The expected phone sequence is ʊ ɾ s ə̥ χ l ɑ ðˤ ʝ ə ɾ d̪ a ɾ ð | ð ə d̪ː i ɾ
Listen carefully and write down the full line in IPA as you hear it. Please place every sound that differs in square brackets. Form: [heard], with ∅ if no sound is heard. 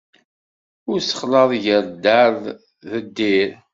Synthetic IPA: ʊ ɾ s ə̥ χ l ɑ ðˤ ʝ ə ɾ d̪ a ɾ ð | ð ə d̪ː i ɾ

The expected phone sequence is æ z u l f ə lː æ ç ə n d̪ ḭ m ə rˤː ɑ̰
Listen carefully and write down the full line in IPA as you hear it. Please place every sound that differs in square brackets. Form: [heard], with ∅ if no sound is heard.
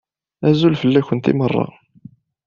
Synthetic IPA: æ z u l f ə lː æ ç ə n [t̪] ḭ m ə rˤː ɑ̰

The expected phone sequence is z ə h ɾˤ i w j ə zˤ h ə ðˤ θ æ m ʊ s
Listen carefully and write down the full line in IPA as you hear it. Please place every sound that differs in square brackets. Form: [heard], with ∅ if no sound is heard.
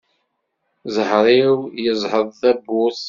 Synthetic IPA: z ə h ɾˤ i w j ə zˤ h ə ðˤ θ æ [b] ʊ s

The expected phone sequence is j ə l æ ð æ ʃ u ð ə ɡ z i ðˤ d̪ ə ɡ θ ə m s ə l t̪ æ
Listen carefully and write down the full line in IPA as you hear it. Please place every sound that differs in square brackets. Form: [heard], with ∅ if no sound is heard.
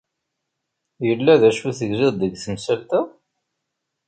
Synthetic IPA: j ə [lː] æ ð æ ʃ u [θ] ə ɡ z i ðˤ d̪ ə ɡ θ ə m s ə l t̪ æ

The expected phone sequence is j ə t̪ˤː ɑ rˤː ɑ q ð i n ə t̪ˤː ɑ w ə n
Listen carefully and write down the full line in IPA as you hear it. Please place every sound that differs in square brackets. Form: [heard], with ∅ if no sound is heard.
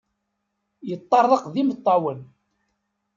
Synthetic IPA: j ə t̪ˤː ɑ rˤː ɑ q ð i [m] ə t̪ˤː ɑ w ə n

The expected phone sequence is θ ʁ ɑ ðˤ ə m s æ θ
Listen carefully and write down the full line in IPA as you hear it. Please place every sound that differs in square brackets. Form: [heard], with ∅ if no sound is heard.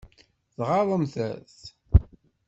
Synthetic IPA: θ ʁ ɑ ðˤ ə m [θ] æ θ

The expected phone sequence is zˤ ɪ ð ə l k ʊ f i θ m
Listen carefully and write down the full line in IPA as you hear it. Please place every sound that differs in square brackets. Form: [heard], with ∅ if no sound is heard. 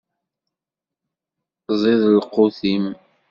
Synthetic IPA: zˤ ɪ ð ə l [q] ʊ [θ] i [∅] m

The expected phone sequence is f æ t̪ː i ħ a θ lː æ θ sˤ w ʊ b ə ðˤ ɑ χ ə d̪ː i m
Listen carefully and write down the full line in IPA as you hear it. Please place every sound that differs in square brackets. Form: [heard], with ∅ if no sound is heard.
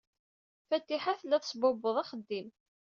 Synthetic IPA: f æ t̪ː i ħ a θ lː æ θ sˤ [b] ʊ b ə ðˤ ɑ χ ə d̪ː i m

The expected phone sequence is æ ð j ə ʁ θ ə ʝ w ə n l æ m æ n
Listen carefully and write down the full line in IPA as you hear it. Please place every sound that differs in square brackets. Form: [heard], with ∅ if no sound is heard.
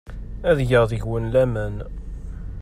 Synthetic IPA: æ ð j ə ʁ [ð] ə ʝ w ə n l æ m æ n

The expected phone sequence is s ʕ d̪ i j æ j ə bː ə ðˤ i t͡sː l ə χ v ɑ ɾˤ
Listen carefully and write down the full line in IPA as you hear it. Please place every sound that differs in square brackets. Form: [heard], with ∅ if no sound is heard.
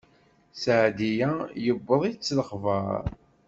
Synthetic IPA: s ʕ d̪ i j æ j ə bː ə ðˤ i t͡sː l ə χ v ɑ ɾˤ

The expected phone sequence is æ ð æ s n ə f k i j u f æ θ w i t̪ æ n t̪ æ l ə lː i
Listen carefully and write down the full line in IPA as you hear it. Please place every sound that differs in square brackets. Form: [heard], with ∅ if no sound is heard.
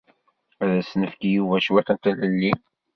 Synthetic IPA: æ ð æ s n ə f k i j u [v] æ [ʃ] w [æ] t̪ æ n t̪ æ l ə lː i

